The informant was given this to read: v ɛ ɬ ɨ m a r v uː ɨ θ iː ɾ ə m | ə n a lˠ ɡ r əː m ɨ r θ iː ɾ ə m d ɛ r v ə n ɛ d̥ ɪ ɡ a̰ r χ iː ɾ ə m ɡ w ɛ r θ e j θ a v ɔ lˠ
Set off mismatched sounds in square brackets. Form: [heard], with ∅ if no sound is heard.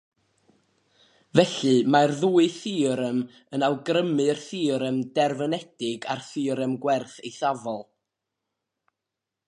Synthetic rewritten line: v ɛ ɬ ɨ m a r [ð] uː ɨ θ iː ɾ ə m | ə n a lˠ ɡ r [ə] m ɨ r θ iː ɾ ə m d ɛ r v ə n ɛ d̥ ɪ ɡ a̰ r [θ] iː ɾ ə m ɡ w ɛ r θ e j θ a v ɔ lˠ